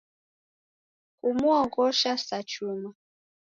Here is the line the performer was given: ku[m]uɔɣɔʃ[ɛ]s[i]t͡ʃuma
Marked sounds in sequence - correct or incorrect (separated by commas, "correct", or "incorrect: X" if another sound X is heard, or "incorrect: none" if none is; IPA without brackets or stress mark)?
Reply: correct, incorrect: a, incorrect: a